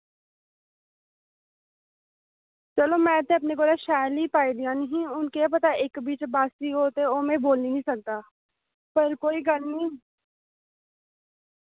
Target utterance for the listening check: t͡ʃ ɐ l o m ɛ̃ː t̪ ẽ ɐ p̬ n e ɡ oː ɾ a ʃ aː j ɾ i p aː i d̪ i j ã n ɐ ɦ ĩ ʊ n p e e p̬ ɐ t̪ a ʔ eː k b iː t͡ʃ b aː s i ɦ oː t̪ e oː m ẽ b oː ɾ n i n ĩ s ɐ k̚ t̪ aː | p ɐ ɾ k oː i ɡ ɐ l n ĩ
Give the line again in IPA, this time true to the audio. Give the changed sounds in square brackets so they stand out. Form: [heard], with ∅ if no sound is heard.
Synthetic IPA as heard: t͡ʃ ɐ l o m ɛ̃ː t̪ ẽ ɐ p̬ n e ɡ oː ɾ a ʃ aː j [l] i p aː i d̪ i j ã n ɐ ɦ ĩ ʊ n [k] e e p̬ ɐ t̪ a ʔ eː k b iː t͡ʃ b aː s i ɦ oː t̪ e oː m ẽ b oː [l] n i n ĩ s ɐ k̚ t̪ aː | p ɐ ɾ k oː i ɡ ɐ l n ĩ